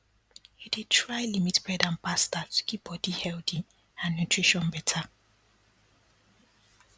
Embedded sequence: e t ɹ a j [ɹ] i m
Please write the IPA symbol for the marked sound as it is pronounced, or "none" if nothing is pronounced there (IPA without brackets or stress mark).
l